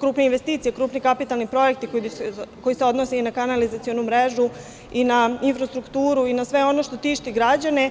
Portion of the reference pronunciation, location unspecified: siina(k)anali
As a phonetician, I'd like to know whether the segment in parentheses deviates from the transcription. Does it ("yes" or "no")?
no